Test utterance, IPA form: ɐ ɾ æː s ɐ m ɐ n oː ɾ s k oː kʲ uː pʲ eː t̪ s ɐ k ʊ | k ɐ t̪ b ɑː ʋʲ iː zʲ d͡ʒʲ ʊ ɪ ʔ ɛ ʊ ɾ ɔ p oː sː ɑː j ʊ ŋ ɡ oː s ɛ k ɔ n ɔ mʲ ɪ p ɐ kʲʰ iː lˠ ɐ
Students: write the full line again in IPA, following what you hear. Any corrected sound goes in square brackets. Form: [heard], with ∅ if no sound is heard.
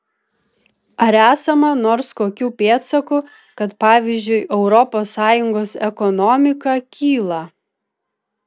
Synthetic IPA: ɐ ɾ æː s ɐ m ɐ n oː ɾ s k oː kʲ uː pʲ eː t̪ s ɐ k ʊ | k ɐ t̪ [p] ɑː ʋʲ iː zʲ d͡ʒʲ ʊ ɪ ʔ ɛ ʊ ɾ ɔ p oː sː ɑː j ʊ ŋ ɡ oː s ɛ k ɔ n ɔ mʲ ɪ [k] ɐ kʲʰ iː lˠ ɐ

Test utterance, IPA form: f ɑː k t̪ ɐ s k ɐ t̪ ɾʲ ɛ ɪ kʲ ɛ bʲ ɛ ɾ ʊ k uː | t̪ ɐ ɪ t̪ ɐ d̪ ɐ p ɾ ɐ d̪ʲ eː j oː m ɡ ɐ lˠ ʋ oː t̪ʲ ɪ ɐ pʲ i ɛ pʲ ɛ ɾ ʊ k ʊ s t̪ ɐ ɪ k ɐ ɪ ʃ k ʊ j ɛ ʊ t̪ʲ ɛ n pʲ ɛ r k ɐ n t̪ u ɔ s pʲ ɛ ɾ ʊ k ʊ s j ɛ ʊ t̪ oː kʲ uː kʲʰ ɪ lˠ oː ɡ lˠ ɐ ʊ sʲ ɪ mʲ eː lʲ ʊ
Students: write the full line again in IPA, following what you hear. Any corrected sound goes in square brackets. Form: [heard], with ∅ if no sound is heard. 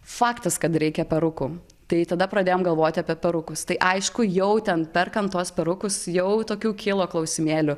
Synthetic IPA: f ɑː k t̪ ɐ s k ɐ t̪ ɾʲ ɛ ɪ kʲ ɛ [pʲ] ɛ ɾ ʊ k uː | t̪ ɐ ɪ t̪ ɐ d̪ ɐ p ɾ ɐ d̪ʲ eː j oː m ɡ ɐ lˠ ʋ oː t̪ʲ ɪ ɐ pʲ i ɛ pʲ ɛ ɾ ʊ k ʊ s t̪ ɐ ɪ [ʔ] ɐ ɪ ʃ k ʊ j ɛ ʊ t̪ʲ ɛ n pʲ ɛ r k ɐ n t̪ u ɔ s pʲ ɛ ɾ ʊ k ʊ s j ɛ ʊ t̪ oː kʲ uː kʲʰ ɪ lˠ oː [k] lˠ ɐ ʊ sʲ ɪ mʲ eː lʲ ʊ

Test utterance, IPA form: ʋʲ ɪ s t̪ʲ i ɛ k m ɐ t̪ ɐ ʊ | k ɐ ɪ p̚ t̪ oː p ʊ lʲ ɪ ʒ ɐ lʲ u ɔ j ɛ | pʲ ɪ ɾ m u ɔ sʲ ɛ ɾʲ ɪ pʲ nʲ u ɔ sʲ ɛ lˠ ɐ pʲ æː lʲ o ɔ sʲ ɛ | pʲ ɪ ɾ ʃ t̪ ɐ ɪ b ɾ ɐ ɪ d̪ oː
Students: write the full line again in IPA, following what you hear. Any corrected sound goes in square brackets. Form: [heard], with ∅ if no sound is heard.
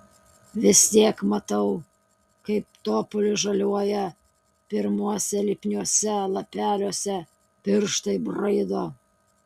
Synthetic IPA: ʋʲ ɪ s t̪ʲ i ɛ k m ɐ t̪ ɐ ʊ | k ɐ ɪ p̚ t̪ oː p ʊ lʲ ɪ ʒ ɐ lʲ u ɔ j ɛ | pʲ ɪ ɾ m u ɔ sʲ ɛ [lʲ] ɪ pʲ nʲ u ɔ sʲ ɛ lˠ ɐ pʲ æː lʲ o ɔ sʲ ɛ | pʲ ɪ ɾ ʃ t̪ ɐ ɪ b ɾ ɐ ɪ d̪ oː

